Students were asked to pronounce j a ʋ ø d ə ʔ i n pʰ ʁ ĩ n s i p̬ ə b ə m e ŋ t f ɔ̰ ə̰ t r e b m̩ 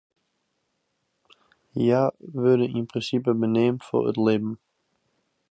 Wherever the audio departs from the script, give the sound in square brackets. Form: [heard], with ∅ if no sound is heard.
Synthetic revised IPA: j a ʋ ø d ə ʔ i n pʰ ʁ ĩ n s i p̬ ə b ə [n] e [m] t f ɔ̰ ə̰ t [l] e b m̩